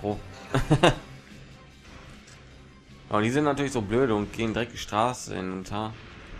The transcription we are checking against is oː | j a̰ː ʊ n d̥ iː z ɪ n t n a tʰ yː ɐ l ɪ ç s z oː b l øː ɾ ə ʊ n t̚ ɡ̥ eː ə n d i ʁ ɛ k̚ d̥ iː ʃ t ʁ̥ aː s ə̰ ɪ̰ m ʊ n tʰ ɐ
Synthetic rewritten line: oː | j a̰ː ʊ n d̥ iː z ɪ n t n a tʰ yː ɐ l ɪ ç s z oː b l øː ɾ ə ʊ n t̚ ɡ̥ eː ə n d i ʁ ɛ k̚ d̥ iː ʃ t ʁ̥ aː s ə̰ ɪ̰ n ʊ n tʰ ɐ

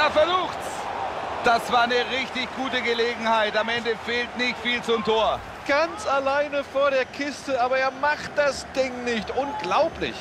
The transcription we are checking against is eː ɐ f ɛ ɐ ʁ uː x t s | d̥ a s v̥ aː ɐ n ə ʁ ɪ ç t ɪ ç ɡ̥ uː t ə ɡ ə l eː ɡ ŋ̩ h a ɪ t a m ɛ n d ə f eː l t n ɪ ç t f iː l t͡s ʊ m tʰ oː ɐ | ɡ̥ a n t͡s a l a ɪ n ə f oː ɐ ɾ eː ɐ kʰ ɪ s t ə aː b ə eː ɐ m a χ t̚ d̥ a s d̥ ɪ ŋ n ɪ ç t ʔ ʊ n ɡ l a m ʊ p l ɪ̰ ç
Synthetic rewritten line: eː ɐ f ɛ ɐ z uː x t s | d̥ a s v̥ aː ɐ n ə ʁ ɪ ç t ɪ ç ɡ̥ uː t ə ɡ ə l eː ɡ ŋ̩ h a ɪ t a m ɛ n d ə f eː l t n ɪ ç t f iː l t͡s ʊ m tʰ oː ɐ | ɡ̥ a n t͡s a l a ɪ n ə f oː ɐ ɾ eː ɐ kʰ ɪ s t ə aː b ɐ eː ɐ m a χ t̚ d̥ a s d̥ ɪ ŋ n ɪ ç t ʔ ʊ n ɡ l a ʊ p l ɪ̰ ç

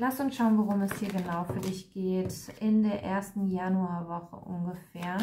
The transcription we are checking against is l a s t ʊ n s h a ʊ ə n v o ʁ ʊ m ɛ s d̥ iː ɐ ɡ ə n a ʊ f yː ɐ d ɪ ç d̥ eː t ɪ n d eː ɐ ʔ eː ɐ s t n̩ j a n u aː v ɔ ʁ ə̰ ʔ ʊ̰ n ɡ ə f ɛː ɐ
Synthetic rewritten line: l a s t ʊ n s ʃ a ʊ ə n v o ʁ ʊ m ɛ s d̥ iː ɐ ɡ ə n a ʊ f yː ɐ d ɪ ç ɡ̥ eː t ɪ n d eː ɐ ʔ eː ɐ s t n̩ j a n u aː v ɔ χ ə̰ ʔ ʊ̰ n ɡ ə f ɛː ɐ

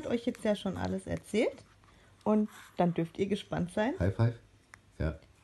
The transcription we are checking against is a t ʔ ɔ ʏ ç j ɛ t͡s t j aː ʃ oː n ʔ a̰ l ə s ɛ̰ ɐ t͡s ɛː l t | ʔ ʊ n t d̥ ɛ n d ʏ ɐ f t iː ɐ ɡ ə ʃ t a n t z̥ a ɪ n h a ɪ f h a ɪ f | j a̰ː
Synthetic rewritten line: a t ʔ ɔ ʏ ç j ɛ t͡s t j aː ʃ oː n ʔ a̰ l ə s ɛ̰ ɐ t͡s ɛː l t | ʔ ʊ n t d̥ a n d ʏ ɐ f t iː ɐ ɡ ə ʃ p a n t z̥ a ɪ n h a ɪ f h a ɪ f | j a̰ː

